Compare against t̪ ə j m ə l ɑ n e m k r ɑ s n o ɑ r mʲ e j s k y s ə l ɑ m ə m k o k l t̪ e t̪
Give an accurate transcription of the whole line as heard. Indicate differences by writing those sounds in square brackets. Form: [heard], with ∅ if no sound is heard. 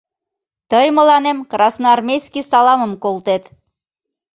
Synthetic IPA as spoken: t̪ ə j m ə l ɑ n e m k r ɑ s n o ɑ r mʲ e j s k [i] s [ɑ] l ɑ m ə m k o [∅] l t̪ e t̪